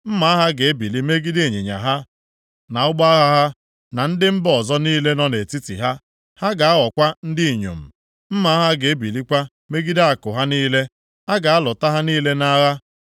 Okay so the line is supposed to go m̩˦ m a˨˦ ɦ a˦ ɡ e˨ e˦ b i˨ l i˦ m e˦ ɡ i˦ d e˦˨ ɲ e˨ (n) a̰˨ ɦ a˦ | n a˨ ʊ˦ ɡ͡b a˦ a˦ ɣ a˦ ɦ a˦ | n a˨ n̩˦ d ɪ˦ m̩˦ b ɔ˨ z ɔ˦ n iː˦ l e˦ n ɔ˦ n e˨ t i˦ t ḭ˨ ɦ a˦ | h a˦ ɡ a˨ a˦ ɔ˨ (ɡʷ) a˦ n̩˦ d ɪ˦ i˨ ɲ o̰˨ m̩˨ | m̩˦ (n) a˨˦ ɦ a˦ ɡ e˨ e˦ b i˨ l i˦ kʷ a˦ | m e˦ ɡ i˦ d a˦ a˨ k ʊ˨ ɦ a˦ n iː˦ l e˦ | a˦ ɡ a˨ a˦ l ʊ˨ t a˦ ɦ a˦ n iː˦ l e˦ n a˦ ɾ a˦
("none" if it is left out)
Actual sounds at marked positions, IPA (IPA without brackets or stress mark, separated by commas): ɲ, kʷ, m